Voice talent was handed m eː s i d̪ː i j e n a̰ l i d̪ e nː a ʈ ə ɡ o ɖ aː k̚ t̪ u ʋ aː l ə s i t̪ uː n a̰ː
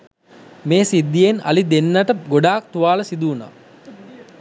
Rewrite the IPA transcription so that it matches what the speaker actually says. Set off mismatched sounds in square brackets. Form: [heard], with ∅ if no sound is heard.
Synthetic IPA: m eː s i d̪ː i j e n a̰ l i d̪ e nː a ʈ ə ɡ o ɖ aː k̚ t̪ u ʋ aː l ə s i [d̪] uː n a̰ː